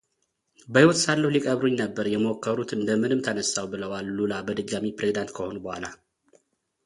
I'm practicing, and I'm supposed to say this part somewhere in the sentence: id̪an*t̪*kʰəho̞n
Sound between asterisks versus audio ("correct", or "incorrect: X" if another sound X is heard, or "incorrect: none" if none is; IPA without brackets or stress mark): correct